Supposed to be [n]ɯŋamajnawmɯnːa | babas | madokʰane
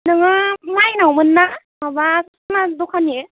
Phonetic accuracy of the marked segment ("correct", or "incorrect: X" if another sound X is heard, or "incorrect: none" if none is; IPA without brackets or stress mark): correct